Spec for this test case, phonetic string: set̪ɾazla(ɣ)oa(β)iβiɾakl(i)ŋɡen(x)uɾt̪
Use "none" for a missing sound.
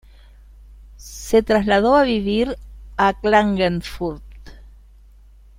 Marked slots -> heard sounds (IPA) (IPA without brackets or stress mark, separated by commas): ð, β, a, f